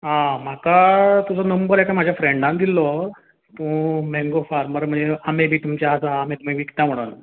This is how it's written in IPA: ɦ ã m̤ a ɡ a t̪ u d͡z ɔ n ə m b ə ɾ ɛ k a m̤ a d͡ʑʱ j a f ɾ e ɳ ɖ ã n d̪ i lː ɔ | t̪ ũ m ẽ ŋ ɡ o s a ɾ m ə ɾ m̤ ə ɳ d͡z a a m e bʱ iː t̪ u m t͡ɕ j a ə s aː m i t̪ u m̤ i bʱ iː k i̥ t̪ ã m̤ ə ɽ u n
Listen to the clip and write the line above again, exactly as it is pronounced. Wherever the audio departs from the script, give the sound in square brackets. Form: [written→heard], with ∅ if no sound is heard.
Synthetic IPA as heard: ɦ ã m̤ a [ɡ→k] a t̪ u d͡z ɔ n ə m b ə ɾ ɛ k a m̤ a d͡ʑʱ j a f ɾ e ɳ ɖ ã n d̪ i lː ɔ | t̪ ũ m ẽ ŋ ɡ o [s→f] a ɾ m ə ɾ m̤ ə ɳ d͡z [a→e] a m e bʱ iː t̪ u m t͡ɕ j a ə s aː m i t̪ u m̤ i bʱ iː k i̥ t̪ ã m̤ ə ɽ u n